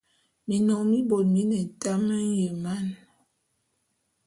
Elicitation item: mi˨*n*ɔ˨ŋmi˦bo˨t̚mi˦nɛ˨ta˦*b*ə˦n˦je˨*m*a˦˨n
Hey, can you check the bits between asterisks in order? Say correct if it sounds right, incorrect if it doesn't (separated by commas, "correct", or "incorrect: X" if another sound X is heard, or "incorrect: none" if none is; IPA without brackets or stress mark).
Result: correct, incorrect: m, correct